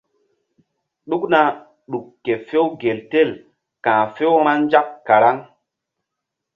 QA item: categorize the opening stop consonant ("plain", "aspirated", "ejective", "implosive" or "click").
implosive